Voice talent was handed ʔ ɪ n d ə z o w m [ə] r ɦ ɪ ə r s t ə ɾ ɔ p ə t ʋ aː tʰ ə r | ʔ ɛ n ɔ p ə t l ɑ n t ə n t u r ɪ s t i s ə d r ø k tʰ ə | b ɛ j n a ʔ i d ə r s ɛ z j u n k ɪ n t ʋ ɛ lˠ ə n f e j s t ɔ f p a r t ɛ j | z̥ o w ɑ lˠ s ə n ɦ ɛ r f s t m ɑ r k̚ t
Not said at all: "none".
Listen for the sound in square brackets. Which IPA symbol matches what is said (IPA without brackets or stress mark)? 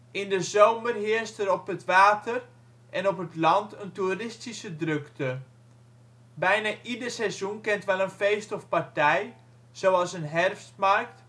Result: ə